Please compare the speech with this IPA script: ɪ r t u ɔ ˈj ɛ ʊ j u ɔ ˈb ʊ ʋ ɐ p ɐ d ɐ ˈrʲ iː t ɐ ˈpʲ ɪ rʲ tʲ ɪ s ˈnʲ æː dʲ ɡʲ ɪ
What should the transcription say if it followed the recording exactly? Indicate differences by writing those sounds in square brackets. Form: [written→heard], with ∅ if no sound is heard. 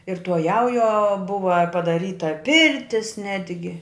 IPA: ɪ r t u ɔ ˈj ɛ ʊ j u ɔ ˈb ʊ ʋ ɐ p ɐ d ɐ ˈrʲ iː t ɐ ˈpʲ ɪ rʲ tʲ ɪ s ˈnʲ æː dʲ ɡʲ ɪ